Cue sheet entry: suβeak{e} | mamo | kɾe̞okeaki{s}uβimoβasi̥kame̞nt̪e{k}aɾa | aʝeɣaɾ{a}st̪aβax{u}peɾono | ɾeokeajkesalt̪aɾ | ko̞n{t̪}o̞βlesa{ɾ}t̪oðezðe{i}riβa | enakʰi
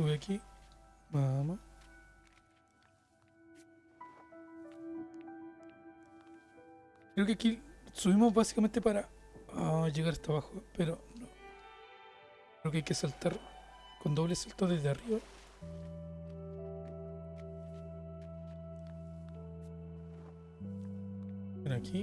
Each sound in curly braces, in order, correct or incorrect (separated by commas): incorrect, correct, incorrect, correct, incorrect, incorrect, incorrect, incorrect